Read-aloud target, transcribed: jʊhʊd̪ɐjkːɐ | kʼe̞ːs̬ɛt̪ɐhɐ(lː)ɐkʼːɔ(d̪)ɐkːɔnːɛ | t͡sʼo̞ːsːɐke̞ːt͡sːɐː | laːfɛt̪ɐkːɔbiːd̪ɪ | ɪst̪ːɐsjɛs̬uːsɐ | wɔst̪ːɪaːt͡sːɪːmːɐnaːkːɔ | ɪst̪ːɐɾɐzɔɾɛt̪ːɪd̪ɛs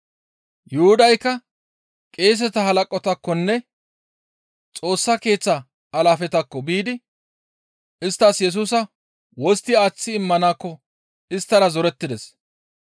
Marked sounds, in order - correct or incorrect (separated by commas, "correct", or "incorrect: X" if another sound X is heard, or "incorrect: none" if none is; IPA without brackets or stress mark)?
incorrect: l, incorrect: t̪